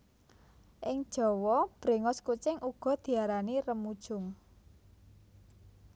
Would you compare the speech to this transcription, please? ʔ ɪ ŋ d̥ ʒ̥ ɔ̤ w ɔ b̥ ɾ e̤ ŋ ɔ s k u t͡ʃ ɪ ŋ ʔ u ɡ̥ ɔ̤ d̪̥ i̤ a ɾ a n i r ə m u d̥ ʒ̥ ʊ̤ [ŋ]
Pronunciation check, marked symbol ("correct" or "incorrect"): correct